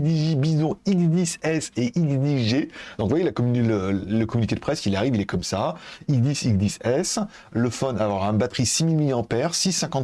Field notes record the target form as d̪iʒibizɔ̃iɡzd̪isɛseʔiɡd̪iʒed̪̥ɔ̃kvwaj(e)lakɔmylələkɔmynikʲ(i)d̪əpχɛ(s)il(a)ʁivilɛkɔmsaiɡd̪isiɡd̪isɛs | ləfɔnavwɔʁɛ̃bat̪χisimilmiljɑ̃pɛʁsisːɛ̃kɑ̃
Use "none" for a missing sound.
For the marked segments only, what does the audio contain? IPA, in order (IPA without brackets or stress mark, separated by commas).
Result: e, e, s, a